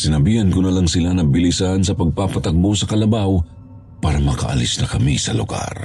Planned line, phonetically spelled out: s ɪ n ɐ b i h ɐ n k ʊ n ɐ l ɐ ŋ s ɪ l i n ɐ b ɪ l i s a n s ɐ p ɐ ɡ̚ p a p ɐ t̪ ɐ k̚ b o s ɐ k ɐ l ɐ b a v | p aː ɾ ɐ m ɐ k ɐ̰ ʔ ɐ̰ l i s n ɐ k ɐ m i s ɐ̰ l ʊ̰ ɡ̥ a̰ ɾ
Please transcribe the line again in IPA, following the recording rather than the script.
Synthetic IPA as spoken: s ɪ n ɐ b i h ɐ n k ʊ n ɐ l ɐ ŋ s ɪ l a n ɐ b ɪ l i s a n s ɐ p ɐ ɡ̚ p a p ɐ t̪ ɐ k̚ b o s ɐ k ɐ l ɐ b a w | p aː ɾ ɐ m ɐ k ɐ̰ ʔ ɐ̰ l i s n ɐ k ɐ m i s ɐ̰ l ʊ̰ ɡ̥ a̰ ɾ